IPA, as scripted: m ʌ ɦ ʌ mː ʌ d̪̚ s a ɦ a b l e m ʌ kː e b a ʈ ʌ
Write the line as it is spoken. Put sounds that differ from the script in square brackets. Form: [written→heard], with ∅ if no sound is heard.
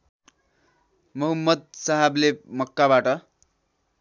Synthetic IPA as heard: m ʌ ɦ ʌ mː ʌ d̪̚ s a ɦ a b l e m ʌ kː [e→a] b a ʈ ʌ